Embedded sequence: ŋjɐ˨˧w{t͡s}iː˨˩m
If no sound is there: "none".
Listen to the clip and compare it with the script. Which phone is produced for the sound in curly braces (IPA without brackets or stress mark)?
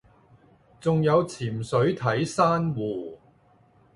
t͡sʰ